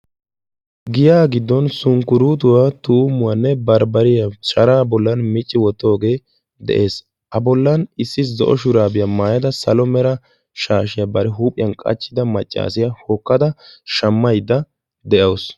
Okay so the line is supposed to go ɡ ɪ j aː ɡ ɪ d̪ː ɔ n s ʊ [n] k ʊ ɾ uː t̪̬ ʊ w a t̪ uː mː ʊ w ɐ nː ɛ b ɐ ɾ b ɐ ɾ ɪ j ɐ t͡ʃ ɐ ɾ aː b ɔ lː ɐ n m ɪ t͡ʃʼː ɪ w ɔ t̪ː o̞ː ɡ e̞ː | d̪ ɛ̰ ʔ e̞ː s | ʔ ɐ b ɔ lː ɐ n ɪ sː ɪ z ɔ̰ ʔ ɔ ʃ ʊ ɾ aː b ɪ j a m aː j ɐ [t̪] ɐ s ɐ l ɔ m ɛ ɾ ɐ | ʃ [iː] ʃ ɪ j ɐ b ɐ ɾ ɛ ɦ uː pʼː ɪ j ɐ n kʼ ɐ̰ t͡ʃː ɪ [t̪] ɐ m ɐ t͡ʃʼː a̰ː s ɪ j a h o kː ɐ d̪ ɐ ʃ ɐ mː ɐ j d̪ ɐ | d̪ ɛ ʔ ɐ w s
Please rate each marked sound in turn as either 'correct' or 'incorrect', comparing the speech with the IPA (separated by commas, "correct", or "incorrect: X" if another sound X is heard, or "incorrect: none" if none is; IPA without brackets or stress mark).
incorrect: ŋ, incorrect: d̪, incorrect: aː, incorrect: d̪